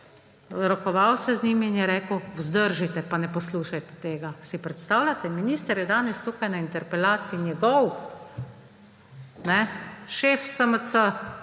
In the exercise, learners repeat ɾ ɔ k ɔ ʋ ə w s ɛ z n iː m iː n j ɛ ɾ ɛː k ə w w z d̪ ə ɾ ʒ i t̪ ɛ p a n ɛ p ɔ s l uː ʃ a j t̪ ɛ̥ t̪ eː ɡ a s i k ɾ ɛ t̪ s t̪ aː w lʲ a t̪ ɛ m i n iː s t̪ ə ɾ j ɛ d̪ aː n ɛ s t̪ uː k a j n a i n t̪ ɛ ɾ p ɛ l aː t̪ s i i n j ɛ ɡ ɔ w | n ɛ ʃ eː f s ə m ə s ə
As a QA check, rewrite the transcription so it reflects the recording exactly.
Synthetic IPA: ɾ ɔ k ɔ ʋ a w s ɛ z n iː m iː n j ɛ ɾ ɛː k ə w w z d̪ ə ɾ ʒ i t̪ ɛ p a n ɛ p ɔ s l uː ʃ a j t̪ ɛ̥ t̪ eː ɡ a s i p ɾ ɛ t̪ s t̪ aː w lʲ a t̪ ɛ m i n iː s t̪ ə ɾ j ɛ d̪ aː n ɛ s t̪ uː k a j n a i n t̪ ɛ ɾ p ɛ l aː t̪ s i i n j ɛ ɡ ɔ w | n ɛ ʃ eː f s ə m ə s ə